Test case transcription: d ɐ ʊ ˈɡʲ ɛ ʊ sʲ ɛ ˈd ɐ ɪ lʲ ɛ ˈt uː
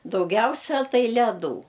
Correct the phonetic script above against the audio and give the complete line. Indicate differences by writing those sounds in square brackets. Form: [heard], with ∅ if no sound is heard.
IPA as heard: d ɐ ʊ ˈɡʲ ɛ ʊ sʲ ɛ [ˈt] ɐ ɪ lʲ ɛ [ˈd] uː